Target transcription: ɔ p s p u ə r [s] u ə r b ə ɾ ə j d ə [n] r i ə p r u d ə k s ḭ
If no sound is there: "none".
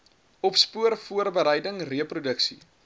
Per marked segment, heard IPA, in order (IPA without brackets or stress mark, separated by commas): f, ŋ